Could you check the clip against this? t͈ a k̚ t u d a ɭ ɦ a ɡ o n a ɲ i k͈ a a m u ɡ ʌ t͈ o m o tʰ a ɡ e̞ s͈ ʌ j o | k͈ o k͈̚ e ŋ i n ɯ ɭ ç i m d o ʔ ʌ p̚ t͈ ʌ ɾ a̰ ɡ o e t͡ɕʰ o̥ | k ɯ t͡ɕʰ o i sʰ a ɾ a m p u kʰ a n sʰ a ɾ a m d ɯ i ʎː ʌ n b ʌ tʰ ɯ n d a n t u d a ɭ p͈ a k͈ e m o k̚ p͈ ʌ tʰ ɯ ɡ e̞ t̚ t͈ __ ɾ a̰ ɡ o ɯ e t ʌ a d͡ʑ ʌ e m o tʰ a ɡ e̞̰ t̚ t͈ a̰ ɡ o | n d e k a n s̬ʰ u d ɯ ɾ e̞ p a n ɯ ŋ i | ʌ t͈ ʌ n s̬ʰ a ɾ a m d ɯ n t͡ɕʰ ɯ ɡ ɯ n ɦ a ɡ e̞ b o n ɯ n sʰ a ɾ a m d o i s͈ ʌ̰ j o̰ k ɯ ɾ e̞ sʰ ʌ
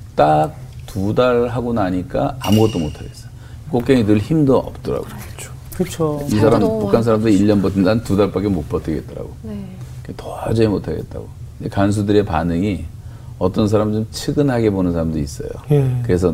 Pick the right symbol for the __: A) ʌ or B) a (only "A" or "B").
A